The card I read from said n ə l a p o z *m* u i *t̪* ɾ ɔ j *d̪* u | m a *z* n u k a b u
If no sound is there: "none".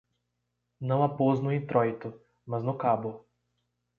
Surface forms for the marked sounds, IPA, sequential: n, t̪, t̪, z

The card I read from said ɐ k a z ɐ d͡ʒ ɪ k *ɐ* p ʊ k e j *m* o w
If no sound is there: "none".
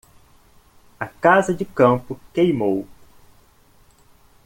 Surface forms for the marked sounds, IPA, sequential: ɐ̃, m

